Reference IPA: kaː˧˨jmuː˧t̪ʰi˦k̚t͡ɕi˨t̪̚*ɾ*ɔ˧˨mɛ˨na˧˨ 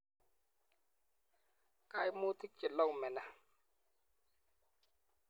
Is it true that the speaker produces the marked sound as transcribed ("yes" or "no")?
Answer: no